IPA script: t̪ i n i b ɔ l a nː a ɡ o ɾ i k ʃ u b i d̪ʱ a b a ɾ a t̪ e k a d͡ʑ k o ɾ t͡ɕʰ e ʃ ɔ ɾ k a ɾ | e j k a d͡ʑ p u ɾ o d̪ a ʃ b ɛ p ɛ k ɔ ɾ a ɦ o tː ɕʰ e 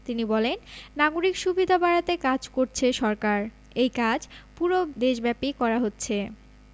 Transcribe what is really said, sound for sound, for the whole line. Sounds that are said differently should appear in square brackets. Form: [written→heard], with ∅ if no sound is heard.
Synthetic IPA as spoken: t̪ i n i b ɔ l [a→e] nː a ɡ o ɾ i k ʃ u b i d̪ʱ a b a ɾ a t̪ e k a d͡ʑ k o ɾ t͡ɕʰ e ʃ ɔ ɾ k a ɾ | e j k a d͡ʑ p u ɾ o d̪ [a→e] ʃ b ɛ p [ɛ→i] k ɔ ɾ a ɦ o tː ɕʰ e